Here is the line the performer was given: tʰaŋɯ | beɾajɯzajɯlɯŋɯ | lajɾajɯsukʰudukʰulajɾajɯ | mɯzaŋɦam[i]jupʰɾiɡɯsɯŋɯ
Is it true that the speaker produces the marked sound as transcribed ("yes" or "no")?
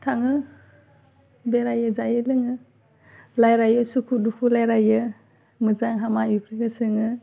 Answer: no